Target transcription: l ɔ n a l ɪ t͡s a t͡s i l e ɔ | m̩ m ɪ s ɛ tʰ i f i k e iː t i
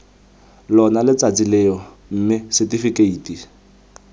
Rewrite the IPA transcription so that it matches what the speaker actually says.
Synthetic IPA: l ɔ n a l ɪ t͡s a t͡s i l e ɔ | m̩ m ɪ s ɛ t i f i k e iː t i

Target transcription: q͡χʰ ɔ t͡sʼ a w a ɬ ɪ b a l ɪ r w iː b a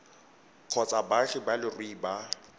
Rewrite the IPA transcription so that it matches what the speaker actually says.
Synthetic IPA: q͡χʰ ɔ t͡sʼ a b a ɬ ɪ b a l ɪ r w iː b a

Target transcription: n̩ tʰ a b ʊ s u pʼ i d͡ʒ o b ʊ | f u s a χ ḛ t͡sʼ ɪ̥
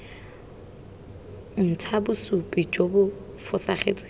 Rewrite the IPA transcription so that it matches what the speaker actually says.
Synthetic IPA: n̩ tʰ a b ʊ s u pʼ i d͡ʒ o b ʊ | f ʊ s a χ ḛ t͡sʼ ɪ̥

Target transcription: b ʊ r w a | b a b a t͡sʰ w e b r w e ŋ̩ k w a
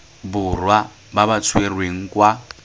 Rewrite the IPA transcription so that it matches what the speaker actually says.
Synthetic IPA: b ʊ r w a | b a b a t͡sʰ w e r w e ŋ̩ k w a

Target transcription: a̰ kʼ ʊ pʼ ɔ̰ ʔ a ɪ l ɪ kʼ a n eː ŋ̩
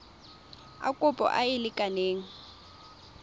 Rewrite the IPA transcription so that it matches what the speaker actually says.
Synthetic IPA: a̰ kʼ ʊ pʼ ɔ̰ ʔ a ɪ l ɪ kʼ a n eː ŋ̩

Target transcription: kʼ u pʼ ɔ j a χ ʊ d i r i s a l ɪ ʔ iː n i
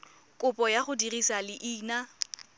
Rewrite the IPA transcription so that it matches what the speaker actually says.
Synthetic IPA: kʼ ʊ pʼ ɔ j a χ ʊ d i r i s a l ɪ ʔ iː n a

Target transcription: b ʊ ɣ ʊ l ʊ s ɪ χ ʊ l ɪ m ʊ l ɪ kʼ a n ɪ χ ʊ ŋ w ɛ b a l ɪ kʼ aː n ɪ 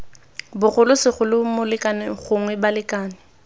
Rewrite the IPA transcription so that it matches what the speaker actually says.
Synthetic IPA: b ʊ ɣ ʊ l ʊ s ɪ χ ʊ l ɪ m ʊ l ɪ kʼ a n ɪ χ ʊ ŋ w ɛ b a l ɪ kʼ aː n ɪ

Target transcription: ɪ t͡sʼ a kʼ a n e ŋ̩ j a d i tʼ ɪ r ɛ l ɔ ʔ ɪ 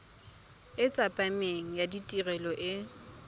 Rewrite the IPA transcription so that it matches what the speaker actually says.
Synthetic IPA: ɪ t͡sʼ a pʼ a m e ŋ̩ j a d i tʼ i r ɛ l ɔ ʔ ɪ

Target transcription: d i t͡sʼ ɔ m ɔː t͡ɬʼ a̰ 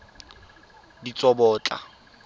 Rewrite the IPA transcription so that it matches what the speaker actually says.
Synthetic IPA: d i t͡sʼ ɔ b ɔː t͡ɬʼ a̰

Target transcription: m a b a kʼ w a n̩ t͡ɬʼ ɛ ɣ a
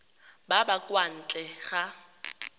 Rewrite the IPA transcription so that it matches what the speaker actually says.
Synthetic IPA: b a b a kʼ w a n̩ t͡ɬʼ ɛ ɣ a

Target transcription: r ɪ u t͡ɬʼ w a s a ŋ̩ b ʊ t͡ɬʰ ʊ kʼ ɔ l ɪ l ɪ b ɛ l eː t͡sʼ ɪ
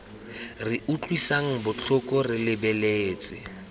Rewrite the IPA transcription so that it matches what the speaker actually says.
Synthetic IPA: r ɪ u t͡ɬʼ w i s a ŋ̩ b ʊ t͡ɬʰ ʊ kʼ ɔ r ɪ l ɪ b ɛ l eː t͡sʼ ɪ

